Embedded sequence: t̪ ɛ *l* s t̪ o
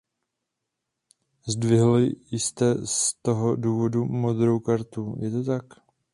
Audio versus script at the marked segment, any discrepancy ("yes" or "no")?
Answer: yes